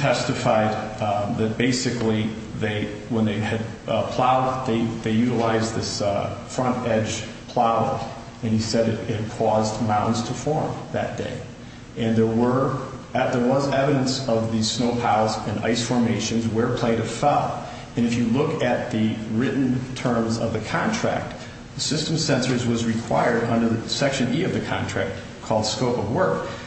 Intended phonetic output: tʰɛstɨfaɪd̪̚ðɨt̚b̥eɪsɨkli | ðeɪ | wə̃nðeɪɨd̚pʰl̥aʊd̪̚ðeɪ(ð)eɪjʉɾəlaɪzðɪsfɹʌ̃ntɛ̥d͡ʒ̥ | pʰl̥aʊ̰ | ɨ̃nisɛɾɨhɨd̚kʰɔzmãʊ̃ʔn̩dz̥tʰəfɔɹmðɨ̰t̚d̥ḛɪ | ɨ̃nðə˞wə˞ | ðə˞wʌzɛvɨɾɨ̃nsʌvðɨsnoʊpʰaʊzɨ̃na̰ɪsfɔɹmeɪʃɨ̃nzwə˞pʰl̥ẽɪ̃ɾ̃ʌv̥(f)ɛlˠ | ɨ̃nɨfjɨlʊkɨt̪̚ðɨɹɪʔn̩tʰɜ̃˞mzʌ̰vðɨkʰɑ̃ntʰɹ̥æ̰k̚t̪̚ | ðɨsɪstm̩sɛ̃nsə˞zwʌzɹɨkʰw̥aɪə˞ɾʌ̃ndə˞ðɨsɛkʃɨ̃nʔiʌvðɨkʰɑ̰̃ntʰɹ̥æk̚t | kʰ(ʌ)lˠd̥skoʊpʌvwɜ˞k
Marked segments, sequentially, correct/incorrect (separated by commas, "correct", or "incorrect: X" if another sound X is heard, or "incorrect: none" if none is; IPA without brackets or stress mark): correct, correct, incorrect: ɔ